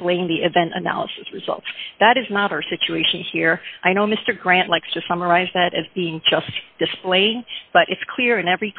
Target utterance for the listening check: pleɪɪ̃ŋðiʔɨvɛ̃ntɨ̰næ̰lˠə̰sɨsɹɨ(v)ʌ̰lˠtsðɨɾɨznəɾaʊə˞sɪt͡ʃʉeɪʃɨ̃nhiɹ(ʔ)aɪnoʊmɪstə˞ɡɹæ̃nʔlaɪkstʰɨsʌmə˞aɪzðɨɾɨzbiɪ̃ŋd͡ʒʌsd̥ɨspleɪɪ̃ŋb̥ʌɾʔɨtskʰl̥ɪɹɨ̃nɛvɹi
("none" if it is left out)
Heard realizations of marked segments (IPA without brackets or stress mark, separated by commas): z, ʔ